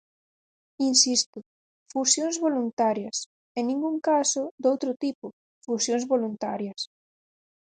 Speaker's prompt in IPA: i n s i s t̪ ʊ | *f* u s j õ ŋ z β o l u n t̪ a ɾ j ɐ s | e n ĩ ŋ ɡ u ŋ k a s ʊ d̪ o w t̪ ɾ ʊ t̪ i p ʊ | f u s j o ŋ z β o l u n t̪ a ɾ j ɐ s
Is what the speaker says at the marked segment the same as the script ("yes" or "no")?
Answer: yes